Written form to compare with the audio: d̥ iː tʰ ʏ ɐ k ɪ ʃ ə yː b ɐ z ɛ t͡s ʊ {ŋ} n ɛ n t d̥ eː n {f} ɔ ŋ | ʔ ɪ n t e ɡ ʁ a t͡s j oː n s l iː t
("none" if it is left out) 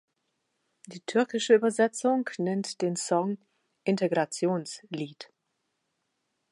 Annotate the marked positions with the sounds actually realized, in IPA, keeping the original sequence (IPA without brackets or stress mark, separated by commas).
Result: ŋ, s